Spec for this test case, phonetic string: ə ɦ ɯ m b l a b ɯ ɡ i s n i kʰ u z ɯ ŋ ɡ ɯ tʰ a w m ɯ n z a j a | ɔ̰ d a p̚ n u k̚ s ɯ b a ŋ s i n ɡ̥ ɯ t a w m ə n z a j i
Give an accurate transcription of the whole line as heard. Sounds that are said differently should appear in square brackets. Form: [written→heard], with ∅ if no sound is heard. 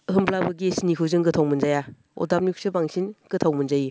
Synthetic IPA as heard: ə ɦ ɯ m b l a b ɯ ɡ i s n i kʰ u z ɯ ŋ ɡ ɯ tʰ a w m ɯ n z a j a | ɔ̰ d a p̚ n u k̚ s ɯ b a ŋ s i n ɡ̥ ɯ [t→tʰ] a w m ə n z a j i